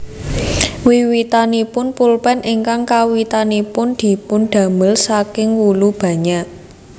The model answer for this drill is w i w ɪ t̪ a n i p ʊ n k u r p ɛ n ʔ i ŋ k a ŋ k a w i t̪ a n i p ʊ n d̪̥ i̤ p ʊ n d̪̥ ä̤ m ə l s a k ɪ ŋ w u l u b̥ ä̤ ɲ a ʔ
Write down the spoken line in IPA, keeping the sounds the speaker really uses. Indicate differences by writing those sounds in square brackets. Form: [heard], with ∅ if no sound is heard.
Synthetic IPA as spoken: w i w [i] t̪ a n i p ʊ n [p] u [l] p ɛ n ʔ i ŋ k a ŋ k a w i t̪ a n i p ʊ n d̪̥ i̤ p ʊ n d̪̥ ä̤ m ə l s a k ɪ ŋ w u l u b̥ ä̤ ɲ a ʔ